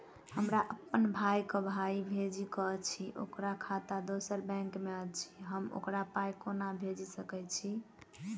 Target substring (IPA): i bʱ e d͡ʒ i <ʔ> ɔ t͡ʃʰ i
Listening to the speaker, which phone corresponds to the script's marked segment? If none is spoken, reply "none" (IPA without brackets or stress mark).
k